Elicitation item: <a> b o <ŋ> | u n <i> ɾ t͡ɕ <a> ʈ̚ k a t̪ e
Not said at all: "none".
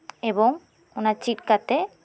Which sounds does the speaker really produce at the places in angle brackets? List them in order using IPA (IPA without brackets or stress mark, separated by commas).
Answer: e, ŋ, a, i